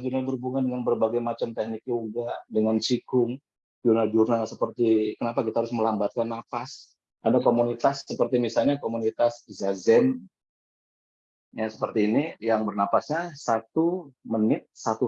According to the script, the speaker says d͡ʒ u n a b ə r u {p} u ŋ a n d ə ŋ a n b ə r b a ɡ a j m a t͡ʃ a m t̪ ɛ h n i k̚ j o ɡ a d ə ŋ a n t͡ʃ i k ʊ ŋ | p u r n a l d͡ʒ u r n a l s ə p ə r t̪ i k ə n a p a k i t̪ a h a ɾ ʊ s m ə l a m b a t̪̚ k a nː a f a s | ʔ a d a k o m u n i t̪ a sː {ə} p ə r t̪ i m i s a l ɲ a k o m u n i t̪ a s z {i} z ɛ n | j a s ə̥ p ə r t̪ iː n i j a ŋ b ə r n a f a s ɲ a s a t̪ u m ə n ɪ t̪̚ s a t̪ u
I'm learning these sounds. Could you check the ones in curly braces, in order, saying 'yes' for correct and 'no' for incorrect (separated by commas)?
no, yes, no